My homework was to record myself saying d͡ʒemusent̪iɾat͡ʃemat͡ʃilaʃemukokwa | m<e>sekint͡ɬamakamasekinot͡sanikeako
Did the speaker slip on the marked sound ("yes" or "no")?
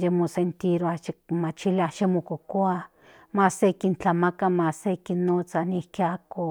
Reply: yes